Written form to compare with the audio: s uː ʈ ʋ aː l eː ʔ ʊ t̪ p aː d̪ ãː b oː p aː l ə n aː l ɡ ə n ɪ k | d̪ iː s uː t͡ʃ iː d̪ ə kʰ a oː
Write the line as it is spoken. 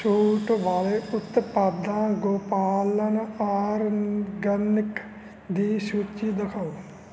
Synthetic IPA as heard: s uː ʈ ʋ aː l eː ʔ ʊ t̪ p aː d̪ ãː ɡ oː p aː l ə n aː ɾ ɡ ə n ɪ k | d̪ iː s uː t͡ʃ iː d̪ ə kʰ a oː

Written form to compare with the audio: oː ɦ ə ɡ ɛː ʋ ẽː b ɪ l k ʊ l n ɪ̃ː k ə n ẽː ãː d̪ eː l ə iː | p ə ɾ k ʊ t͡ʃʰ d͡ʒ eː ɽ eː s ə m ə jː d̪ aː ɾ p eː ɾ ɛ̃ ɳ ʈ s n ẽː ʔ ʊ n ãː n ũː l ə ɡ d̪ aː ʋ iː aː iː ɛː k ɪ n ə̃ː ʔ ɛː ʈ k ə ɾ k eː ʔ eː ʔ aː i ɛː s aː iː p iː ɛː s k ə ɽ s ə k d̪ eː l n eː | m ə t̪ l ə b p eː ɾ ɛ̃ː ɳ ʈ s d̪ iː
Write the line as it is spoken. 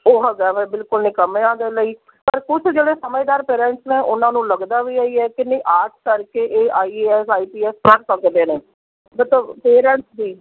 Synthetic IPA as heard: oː ɦ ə ɡ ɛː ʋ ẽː b ɪ l k ʊ l n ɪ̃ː k ə m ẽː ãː d̪ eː l ə iː | p ə ɾ k ʊ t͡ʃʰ d͡ʒ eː ɽ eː s ə m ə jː d̪ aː ɾ p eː ɾ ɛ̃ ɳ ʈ s n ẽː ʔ ʊ n ãː n ũː l ə ɡ d̪ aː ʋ iː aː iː ɛː k ɪ n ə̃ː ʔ aː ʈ k ə ɾ k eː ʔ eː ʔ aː i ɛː s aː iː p iː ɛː s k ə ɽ s ə k d̪ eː n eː | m ə t̪ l ə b p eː ɾ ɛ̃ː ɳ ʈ s d̪ iː

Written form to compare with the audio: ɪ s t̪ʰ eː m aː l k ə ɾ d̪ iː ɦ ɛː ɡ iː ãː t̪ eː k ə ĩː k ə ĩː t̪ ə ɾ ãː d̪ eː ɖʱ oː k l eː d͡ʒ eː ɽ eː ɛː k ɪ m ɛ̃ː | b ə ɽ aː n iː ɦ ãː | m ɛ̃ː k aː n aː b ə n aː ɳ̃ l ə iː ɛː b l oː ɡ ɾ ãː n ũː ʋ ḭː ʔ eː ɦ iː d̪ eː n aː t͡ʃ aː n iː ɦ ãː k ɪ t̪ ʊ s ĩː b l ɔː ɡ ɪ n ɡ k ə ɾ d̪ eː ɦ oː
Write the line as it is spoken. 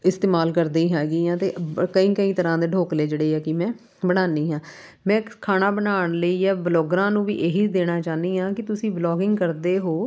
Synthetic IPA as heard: ɪ s t̪ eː m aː l k ə ɾ d̪ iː ɦ ɛː ɡ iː ãː t̪ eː k ə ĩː k ə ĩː t̪ ə ɾ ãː d̪ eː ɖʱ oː k l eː d͡ʒ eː ɽ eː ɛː k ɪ m ɛ̃ː | b ə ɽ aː n iː ɦ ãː | m ɛ̃ː kʰ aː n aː b ə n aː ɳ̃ l ə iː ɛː b l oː ɡ ɾ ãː n ũː ʋ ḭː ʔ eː ɦ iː d̪ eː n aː t͡ʃ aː n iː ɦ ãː k ɪ t̪ ʊ s ĩː b l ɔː ɡ ɪ ŋ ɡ k ə ɾ d̪ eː ɦ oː

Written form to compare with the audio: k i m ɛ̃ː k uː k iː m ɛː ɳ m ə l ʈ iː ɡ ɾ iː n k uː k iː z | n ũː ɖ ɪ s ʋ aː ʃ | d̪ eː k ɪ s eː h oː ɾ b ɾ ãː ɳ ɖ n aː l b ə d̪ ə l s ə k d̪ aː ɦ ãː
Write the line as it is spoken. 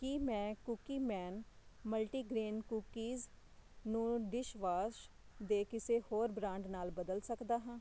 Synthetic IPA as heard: k i m ɛ̃ː k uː k iː m ɛː n m ə l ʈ iː ɡ ɾ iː n k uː k iː z | n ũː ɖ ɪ ʃ ʋ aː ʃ | d̪ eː k ɪ s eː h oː ɾ b ɾ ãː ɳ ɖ n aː l b ə d̪ ə l s ə k d̪ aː ɦ ãː

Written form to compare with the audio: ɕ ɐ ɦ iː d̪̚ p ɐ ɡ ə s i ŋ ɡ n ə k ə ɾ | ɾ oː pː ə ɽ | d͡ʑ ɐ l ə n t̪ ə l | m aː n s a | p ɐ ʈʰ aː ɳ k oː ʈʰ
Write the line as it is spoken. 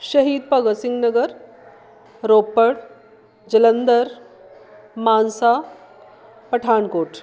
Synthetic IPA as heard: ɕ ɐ ɦ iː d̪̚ p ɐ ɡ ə s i ŋ ɡ n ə ɡ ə ɾ | ɾ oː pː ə ɽ | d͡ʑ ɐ l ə n d̪ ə ɾ | m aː n s a | p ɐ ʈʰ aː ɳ k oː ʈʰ

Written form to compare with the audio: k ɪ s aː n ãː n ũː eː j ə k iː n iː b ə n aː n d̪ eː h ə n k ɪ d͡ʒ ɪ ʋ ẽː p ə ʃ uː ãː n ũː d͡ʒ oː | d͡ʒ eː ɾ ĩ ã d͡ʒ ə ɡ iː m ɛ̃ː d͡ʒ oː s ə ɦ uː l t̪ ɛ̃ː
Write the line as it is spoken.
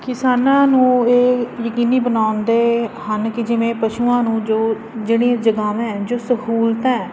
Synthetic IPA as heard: k ɪ s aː n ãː n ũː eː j ə k iː n iː b ə n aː n d̪ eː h ə n k ɪ d͡ʒ ɪ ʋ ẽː p ə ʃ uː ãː n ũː d͡ʒ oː | d͡ʒ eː ɽ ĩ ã d͡ʒ ə ɡ aː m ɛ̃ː d͡ʒ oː s ə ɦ uː l t̪ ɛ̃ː

